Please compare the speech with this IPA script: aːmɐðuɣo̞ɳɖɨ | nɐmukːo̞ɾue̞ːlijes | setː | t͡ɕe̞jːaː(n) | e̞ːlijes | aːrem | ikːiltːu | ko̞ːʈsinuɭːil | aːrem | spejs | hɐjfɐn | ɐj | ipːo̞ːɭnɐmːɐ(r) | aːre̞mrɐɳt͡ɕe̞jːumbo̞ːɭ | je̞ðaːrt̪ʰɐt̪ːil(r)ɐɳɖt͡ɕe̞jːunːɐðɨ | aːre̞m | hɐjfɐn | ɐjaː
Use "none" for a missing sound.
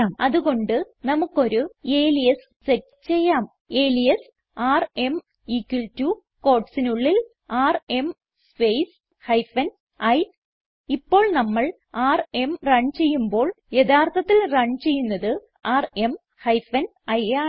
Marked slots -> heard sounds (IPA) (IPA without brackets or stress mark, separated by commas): m, ɭ, r